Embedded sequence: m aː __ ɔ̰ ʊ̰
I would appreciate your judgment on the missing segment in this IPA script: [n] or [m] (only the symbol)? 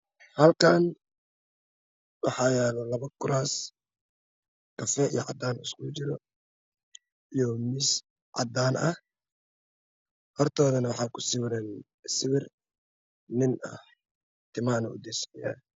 n